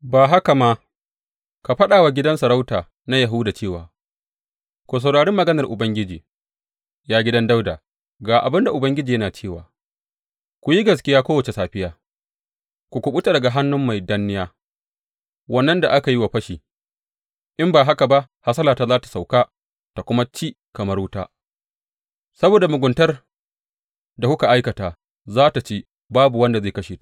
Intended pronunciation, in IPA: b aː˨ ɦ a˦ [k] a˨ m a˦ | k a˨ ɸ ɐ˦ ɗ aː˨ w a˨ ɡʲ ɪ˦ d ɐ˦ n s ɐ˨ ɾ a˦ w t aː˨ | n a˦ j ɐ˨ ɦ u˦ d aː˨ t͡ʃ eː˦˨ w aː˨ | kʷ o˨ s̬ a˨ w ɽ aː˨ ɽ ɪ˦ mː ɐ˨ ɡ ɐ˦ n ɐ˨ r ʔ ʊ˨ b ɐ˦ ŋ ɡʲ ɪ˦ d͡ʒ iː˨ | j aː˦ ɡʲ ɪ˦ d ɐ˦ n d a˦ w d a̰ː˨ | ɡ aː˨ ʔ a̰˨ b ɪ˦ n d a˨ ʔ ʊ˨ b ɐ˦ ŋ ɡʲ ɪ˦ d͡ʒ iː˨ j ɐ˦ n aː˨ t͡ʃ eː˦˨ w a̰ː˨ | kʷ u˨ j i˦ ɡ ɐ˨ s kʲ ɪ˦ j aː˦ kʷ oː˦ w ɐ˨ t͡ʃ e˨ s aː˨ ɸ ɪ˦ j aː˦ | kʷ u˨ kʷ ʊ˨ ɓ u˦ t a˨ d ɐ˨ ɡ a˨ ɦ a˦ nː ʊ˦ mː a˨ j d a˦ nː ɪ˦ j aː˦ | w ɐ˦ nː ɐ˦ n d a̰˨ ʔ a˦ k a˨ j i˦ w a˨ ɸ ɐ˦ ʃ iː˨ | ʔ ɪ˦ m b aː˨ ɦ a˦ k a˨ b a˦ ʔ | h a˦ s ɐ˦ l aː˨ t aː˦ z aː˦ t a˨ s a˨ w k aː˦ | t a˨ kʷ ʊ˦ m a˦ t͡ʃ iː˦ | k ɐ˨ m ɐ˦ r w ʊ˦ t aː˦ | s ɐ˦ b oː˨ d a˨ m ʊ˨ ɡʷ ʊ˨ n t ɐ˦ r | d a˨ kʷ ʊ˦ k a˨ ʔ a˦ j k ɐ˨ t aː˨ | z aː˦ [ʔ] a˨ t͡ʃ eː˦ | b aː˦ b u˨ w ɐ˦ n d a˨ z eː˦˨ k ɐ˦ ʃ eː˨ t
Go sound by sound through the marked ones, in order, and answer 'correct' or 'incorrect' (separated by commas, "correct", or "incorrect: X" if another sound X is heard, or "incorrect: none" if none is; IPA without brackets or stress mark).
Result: correct, incorrect: t